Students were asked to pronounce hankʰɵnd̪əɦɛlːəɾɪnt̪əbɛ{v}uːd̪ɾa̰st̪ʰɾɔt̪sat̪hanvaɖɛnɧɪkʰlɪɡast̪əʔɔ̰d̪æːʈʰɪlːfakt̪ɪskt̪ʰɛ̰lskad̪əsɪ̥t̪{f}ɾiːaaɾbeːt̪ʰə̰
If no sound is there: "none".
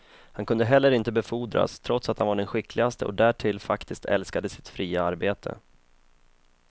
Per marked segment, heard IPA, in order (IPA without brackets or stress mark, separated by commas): f, f